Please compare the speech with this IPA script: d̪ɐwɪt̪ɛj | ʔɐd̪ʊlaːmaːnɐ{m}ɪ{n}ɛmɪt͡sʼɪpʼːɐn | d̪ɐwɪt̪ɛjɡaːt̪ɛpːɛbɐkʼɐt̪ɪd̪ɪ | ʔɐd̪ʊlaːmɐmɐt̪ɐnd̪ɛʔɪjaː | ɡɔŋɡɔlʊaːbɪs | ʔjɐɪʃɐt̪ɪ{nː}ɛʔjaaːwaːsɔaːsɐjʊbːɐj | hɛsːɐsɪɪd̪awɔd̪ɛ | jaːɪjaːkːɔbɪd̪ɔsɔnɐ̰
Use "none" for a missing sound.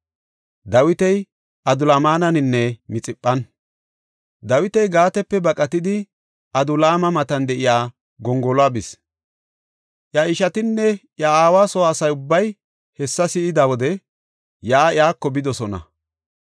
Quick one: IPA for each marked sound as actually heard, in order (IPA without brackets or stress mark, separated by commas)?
n, nː, nː